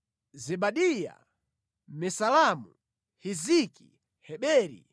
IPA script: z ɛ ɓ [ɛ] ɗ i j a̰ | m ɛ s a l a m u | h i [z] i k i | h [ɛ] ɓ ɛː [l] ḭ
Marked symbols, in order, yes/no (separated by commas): no, yes, yes, no